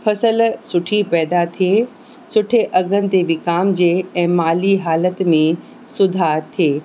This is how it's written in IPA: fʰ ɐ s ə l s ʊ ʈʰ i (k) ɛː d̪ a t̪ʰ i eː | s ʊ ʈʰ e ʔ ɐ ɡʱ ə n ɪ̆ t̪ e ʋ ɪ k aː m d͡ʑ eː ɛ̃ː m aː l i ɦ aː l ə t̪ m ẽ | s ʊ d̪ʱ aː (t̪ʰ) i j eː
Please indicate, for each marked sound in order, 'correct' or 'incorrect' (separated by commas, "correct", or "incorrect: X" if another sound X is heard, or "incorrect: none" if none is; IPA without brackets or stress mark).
incorrect: p, correct